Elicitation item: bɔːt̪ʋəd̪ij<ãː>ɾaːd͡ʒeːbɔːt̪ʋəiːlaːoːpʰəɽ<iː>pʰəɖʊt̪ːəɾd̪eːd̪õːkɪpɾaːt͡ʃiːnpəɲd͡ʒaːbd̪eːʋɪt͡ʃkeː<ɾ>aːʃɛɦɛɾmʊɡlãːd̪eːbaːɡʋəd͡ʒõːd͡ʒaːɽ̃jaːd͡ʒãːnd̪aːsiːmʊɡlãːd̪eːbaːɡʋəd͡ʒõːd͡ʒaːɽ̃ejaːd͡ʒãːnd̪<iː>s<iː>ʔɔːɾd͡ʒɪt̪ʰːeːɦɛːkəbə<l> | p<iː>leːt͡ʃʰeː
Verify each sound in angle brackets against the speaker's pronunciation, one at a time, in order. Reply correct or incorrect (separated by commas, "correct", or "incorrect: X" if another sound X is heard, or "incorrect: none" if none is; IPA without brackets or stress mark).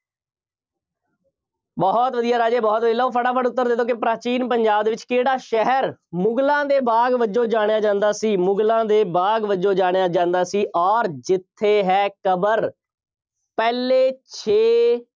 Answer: incorrect: aː, incorrect: aː, incorrect: ɽ, incorrect: aː, correct, incorrect: ɾ, incorrect: ɛː